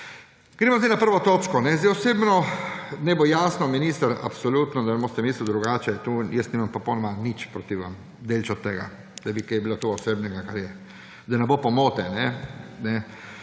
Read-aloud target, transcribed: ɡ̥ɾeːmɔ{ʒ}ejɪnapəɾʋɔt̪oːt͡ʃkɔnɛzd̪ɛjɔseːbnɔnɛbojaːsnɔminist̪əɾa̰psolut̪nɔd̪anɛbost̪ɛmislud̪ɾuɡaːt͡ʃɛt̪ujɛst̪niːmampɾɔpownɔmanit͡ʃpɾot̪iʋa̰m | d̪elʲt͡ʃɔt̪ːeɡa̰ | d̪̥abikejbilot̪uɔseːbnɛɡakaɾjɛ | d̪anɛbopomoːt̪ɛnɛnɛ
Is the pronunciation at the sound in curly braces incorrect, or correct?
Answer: incorrect